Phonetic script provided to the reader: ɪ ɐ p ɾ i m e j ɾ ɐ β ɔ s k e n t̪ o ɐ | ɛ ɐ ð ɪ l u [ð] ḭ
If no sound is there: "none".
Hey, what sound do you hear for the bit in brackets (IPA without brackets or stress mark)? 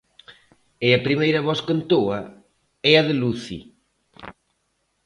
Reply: θ